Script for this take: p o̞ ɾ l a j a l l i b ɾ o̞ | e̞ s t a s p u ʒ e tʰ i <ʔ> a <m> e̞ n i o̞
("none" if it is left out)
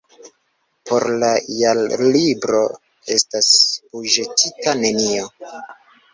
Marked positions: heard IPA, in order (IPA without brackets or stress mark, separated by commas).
t, n